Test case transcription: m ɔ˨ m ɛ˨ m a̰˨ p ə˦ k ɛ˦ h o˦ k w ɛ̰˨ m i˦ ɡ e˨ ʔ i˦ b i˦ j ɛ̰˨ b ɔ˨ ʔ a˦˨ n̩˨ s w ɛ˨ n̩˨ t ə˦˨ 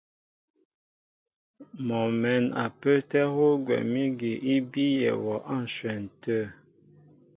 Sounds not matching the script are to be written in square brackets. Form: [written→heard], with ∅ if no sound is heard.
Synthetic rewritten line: m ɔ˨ m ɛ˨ [m→n] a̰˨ p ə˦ [k→t] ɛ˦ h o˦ [k→ɡ] w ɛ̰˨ m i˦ ɡ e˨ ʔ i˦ b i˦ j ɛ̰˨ [b→w] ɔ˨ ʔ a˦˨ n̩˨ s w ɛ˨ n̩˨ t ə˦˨